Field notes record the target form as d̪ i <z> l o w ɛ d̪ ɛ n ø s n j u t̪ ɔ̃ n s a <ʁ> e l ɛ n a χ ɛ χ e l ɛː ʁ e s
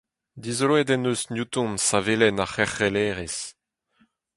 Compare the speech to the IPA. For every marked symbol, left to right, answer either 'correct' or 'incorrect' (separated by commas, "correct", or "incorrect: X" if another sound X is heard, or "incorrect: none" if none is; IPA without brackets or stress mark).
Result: correct, incorrect: v